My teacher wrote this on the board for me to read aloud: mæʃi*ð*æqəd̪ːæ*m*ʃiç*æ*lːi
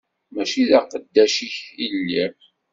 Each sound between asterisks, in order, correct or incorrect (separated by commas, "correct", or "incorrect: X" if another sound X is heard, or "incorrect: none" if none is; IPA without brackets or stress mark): correct, incorrect: none, incorrect: i